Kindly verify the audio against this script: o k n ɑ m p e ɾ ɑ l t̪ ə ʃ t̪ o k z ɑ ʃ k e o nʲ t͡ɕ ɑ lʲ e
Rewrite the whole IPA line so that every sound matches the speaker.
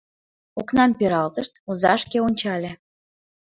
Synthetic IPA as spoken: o k n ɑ m p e ɾ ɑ l t̪ ə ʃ t̪ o z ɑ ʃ k e o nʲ t͡ɕ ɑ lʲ e